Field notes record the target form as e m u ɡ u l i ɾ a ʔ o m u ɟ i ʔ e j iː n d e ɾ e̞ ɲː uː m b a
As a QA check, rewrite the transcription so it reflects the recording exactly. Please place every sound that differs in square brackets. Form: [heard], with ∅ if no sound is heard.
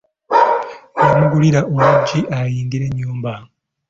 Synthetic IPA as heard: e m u ɡ u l i ɾ a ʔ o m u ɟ i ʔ [a] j iː n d [i] ɾ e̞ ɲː uː m b a